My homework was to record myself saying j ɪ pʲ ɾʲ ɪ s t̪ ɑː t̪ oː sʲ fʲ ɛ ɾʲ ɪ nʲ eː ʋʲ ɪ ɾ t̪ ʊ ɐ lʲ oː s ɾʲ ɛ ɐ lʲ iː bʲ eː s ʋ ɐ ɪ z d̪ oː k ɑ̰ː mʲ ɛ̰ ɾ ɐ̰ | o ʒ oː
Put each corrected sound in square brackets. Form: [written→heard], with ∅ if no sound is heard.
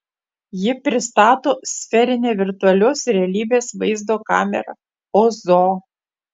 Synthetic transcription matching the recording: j ɪ pʲ ɾʲ ɪ s t̪ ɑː t̪ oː sʲ fʲ ɛ ɾʲ ɪ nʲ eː ʋʲ ɪ ɾ t̪ ʊ ɐ lʲ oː s ɾʲ ɛ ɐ lʲ iː bʲ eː s ʋ ɐ ɪ z d̪ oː k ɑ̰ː mʲ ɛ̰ ɾ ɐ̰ | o [ʒ→z] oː